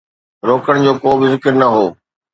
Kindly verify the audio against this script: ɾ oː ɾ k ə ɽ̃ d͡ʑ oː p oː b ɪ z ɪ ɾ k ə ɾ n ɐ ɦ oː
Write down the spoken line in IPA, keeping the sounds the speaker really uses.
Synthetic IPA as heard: ɾ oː k ə ɽ̃ d͡ʑ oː k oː b ɪ z ɪ k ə ɾ n ɐ ɦ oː